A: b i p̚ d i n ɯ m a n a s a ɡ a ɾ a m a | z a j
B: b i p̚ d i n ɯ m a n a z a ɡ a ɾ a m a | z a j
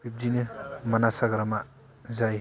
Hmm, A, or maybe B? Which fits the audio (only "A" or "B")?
A